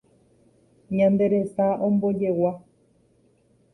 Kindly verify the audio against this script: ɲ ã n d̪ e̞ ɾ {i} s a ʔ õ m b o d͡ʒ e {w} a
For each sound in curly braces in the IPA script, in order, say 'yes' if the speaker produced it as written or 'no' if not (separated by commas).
no, yes